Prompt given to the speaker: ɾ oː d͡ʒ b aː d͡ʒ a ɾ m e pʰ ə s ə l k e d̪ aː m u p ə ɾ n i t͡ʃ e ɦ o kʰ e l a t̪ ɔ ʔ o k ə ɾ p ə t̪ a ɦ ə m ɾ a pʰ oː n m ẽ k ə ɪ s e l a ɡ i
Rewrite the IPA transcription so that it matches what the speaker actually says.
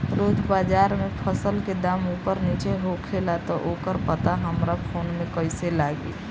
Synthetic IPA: ɾ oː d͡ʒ b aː d͡ʒ a ɾ m e pʰ ə s ə l k e d̪ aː m u p ə ɾ n i t͡ʃ e ɦ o kʰ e l a t̪ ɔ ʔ o k ə ɾ p ə t̪ a ɦ ə m ɾ a pʰ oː n m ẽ k ə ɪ s e l a ɡ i